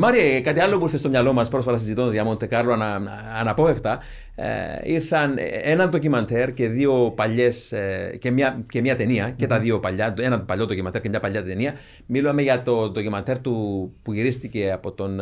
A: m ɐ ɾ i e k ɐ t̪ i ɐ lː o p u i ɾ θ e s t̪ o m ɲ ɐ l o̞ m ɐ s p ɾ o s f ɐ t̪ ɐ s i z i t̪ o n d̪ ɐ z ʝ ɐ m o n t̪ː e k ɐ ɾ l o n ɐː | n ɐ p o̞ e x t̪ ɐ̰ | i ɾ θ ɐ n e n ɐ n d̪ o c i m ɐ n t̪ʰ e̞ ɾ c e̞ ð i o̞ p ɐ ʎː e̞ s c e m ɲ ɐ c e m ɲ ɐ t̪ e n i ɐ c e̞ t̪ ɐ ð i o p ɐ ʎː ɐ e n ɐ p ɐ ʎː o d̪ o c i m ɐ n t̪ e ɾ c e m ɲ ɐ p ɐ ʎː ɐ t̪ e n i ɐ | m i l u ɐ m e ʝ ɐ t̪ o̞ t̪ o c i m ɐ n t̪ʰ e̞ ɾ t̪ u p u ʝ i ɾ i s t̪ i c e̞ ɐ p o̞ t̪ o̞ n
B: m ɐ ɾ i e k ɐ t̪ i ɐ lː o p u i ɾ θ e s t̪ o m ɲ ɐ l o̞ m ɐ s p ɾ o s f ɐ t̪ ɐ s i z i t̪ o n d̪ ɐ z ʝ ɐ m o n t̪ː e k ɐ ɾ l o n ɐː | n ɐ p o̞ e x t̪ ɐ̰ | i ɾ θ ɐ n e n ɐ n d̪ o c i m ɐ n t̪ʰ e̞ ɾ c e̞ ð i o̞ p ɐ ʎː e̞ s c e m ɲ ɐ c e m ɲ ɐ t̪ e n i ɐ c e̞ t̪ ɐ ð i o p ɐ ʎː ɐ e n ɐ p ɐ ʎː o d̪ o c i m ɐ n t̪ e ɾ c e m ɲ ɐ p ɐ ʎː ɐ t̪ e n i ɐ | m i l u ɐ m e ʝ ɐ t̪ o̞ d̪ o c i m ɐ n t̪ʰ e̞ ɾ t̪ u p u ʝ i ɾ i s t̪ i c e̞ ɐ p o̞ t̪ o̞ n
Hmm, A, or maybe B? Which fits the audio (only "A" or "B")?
B